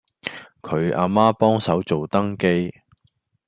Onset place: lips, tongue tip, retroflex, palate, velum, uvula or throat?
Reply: velum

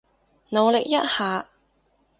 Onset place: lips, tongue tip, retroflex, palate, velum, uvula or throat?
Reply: tongue tip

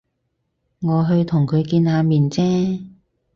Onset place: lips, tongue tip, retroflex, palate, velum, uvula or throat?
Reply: velum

